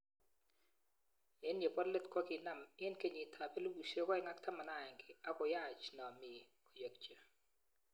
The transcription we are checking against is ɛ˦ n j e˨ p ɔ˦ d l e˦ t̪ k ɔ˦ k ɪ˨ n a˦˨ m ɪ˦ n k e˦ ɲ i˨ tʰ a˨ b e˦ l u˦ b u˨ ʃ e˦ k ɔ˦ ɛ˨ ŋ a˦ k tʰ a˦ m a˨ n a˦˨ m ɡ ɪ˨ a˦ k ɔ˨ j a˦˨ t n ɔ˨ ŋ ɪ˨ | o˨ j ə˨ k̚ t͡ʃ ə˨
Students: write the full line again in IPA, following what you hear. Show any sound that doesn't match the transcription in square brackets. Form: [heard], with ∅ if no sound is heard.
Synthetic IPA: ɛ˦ n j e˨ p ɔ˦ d l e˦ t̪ k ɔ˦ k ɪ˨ n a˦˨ m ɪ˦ n k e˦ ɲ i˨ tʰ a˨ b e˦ l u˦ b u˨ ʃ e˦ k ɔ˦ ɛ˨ ŋ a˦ k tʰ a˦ m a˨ n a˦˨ [ŋ] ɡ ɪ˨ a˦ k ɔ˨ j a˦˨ [t͡ʃ] n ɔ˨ [m] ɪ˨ | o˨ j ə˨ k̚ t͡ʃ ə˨